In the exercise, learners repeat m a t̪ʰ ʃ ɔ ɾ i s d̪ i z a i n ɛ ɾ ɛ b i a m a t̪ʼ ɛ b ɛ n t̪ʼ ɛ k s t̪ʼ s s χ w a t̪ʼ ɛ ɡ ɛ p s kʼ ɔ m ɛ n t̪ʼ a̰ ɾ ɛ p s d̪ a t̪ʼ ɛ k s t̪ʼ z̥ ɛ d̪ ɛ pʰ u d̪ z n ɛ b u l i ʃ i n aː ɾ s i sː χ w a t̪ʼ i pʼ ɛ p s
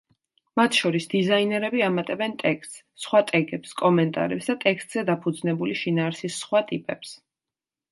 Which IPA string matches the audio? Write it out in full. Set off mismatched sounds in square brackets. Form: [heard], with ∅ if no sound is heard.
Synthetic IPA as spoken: m a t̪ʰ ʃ ɔ ɾ i s d̪ i z a i n ɛ ɾ ɛ b i a m a t̪ʼ ɛ b ɛ n t̪ʼ ɛ k s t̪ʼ s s χ w a t̪ʼ ɛ ɡ ɛ p s kʼ ɔ m ɛ n t̪ʼ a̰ ɾ ɛ p s d̪ a t̪ʼ ɛ k s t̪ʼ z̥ ɛ d̪ [a] pʰ u d̪ z n ɛ b u l i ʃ i n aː ɾ s i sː χ w a t̪ʼ i pʼ ɛ p s